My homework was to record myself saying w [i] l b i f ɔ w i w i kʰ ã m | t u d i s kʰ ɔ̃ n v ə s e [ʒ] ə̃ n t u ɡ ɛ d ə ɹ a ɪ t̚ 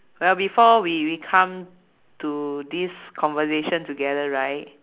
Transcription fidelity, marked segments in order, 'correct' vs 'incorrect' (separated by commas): incorrect, incorrect